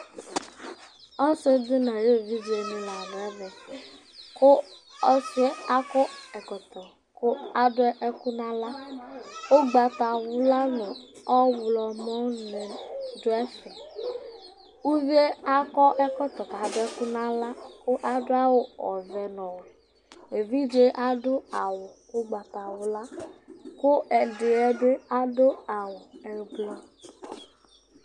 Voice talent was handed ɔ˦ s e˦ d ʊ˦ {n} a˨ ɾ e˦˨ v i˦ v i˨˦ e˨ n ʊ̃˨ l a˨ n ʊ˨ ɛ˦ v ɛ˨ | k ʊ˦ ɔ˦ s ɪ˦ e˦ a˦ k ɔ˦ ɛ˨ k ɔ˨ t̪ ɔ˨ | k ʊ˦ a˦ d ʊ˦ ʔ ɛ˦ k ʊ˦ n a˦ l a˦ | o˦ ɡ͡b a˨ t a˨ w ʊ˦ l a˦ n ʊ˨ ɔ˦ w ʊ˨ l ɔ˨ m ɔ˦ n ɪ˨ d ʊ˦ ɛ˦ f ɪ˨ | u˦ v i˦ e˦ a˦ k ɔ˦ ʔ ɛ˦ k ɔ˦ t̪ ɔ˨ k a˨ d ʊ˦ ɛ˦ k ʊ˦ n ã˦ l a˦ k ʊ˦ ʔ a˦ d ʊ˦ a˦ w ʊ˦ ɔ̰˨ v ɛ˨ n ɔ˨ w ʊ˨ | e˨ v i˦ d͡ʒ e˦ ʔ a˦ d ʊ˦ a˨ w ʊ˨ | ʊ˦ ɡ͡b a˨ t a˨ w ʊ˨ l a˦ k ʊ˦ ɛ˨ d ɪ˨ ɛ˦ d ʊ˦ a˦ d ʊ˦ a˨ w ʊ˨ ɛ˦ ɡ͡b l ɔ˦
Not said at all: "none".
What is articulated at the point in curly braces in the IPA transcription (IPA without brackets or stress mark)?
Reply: n